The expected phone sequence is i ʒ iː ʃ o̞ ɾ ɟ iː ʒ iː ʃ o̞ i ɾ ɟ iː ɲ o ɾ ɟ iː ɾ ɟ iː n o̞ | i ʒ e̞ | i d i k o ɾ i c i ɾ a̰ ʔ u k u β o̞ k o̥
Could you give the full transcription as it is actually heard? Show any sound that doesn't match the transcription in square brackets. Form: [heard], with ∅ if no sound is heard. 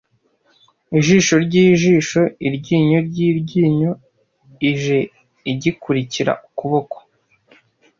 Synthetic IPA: i ʒ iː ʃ o̞ ɾ ɟ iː ʒ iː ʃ o̞ i ɾ ɟ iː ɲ o ɾ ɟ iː ɾ ɟ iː [ɲ] o̞ | i ʒ e̞ | i [ɟ] i k [u] ɾ i c i ɾ a̰ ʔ u k u β o̞ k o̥